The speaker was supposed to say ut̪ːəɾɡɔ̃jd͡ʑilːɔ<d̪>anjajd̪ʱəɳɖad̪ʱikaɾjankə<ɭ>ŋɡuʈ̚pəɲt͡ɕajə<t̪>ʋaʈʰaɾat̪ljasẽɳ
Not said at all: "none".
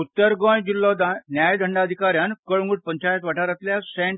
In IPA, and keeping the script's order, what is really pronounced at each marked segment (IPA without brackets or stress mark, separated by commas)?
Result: d̪, ɭ, t̪